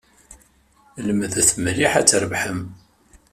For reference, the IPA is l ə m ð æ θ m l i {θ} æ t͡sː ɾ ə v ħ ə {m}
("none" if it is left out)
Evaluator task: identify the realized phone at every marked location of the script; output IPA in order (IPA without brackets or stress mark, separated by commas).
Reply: ħ, m